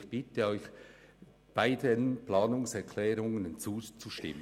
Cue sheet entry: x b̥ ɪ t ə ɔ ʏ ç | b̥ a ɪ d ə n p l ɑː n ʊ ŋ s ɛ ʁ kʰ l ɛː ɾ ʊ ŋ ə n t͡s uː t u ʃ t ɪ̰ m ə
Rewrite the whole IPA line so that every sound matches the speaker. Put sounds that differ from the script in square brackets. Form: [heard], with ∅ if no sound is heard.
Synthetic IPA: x b̥ ɪ t ə ɔ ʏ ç | b̥ a ɪ d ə n p l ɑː n ʊ ŋ s ɛ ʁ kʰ l ɛː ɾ ʊ ŋ ə n t͡s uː [t͡s] u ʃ t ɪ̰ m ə